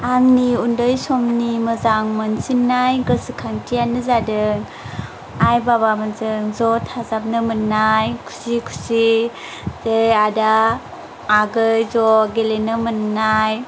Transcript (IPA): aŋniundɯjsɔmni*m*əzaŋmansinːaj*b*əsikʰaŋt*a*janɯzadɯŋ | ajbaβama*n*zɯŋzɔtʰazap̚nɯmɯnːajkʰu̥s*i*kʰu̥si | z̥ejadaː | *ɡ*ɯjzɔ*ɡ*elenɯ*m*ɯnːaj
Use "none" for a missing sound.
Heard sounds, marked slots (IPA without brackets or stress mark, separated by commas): m, ɡ, i, n, i, ɡ, ɡ, m